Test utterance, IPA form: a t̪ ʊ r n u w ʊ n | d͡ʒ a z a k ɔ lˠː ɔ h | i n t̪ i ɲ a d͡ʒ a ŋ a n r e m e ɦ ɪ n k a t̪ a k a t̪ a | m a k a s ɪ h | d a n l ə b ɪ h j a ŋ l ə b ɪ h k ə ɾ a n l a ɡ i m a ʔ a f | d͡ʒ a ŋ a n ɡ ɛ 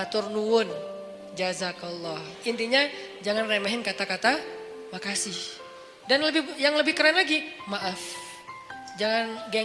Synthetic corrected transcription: a t̪ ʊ r n u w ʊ n | d͡ʒ a z a k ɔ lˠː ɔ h | i n t̪ i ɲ a d͡ʒ a ŋ a n r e m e ɦ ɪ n k a t̪ a k a t̪ a | m a k a s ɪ h | d a n l ə b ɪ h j a ŋ l ə b ɪ h k ə ɾ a n l a ɡ i m a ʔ a f | d͡ʒ a ŋ a n ɡ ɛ